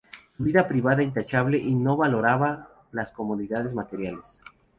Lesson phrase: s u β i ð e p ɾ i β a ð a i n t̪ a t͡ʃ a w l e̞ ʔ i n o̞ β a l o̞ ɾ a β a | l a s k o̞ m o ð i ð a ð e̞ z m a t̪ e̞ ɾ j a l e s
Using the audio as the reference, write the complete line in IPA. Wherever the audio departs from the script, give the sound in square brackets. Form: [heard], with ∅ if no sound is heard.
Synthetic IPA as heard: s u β i ð [a] p ɾ i β a ð a i n t̪ a t͡ʃ a [β] l e̞ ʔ i n o̞ β a l o̞ ɾ a β a | l a s k o̞ m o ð i ð a ð e̞ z m a t̪ e̞ ɾ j a l e s